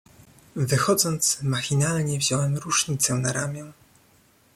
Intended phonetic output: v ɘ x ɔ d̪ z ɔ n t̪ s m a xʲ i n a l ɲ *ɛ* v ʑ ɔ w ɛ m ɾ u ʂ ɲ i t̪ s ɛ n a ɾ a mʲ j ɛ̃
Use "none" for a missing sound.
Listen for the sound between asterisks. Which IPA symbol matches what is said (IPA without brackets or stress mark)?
ɛ